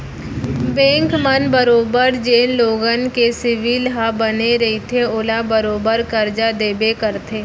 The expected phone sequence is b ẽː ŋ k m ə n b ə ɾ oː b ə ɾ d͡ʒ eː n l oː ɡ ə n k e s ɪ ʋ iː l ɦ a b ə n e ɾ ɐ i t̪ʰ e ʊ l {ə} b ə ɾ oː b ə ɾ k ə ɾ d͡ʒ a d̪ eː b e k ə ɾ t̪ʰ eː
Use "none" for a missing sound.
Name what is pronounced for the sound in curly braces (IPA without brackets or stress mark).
a